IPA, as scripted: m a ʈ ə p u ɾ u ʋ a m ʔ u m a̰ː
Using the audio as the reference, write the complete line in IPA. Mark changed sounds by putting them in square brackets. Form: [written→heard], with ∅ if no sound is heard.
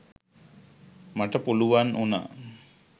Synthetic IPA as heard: m a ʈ ə p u [ɾ→l] u ʋ a [m→n] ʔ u [m→n] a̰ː